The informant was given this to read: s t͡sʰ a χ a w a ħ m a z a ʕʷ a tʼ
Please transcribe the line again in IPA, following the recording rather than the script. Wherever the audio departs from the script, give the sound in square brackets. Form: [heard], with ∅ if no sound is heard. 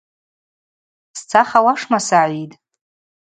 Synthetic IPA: s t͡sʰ a χ a w a [ʂ] m a [s] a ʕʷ [i] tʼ